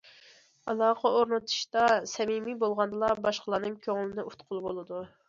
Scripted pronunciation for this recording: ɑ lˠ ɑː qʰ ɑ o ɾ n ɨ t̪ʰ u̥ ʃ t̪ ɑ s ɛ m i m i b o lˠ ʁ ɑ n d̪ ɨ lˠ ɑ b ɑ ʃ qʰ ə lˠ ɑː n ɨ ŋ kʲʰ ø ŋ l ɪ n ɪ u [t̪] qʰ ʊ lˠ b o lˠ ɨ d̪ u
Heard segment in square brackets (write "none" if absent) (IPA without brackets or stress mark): t̪